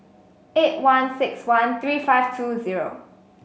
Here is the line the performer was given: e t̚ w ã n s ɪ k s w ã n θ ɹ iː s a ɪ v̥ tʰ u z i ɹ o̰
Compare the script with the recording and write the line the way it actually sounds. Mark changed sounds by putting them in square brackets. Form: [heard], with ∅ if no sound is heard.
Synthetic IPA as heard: e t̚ w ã n s ɪ k s w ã n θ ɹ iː [f] a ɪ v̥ tʰ u z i ɹ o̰